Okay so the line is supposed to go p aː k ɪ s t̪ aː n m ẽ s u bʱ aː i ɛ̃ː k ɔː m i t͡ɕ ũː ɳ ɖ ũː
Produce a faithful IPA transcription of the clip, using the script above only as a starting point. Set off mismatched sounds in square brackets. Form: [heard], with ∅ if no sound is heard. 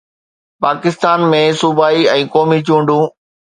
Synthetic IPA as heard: p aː k ɪ s t̪ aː n m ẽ s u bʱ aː i ɛ̃ː k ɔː m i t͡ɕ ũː ɳ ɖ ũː

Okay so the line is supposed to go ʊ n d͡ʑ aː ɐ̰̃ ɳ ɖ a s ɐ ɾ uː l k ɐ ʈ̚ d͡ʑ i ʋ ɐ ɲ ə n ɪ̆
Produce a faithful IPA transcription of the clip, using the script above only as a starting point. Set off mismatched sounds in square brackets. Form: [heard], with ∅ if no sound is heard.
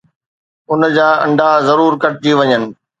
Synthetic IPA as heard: ʊ n d͡ʑ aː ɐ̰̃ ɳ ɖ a [z] ɐ ɾ uː [ɾ] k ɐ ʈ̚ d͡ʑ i ʋ ɐ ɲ ə n ɪ̆

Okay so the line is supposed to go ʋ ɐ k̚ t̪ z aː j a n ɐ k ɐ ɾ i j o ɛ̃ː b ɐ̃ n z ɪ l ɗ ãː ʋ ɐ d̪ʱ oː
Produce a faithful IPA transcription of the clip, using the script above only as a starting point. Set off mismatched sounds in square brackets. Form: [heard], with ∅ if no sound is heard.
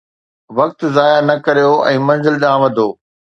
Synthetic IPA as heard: ʋ ɐ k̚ t̪ z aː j a n ɐ k ɐ ɾ i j o ɛ̃ː [m] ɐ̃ n z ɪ l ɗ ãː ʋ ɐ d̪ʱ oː

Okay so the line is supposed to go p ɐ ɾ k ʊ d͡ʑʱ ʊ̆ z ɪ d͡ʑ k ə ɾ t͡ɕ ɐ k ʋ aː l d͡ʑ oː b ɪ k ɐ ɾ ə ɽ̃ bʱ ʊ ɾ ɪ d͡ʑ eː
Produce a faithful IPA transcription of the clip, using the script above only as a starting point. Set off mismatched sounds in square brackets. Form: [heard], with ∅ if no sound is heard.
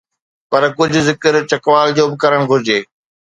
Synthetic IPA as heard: p ɐ ɾ k ʊ d͡ʑʱ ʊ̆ z ɪ [∅] k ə ɾ t͡ɕ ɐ k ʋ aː l d͡ʑ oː b ɪ k ɐ ɾ ə ɽ̃ [ɡʱ] ʊ ɾ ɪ d͡ʑ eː

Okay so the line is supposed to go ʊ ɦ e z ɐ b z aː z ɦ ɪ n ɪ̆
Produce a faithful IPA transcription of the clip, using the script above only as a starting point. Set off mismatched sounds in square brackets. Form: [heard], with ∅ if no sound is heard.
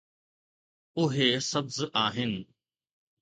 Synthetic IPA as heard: ʊ ɦ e [s] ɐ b z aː [∅] ɦ ɪ n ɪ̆

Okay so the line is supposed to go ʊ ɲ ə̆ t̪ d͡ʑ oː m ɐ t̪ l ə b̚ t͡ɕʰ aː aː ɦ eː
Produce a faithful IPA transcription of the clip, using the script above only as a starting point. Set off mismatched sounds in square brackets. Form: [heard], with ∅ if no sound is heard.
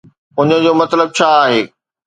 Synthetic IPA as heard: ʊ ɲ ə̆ [∅] d͡ʑ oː m ɐ t̪ l ə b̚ t͡ɕʰ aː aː ɦ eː

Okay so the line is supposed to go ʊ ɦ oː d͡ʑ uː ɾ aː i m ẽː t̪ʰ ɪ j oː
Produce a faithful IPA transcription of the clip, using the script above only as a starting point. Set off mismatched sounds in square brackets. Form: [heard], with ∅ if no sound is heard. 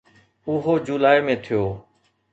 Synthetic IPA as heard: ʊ ɦ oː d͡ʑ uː [l] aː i m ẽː t̪ʰ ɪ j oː

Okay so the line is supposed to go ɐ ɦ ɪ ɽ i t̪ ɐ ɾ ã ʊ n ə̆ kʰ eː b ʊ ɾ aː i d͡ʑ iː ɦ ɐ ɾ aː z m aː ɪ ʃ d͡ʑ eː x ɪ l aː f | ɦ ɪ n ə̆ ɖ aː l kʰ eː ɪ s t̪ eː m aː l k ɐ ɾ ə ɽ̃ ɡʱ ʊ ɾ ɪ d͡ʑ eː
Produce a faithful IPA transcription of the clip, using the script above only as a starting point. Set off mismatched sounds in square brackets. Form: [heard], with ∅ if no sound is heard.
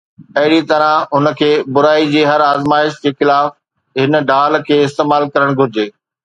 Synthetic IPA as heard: ɐ ɦ ɪ ɽ i t̪ ɐ ɾ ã ʊ n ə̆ kʰ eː b ʊ ɾ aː i d͡ʑ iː ɦ ɐ ɾ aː z m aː ɪ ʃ d͡ʑ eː x ɪ l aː f | ɦ ɪ n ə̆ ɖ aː l kʰ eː ɪ s t̪ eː m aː l k ɐ ɾ ə ɽ̃ ɡʱ ʊ ɾ ɪ d͡ʑ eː

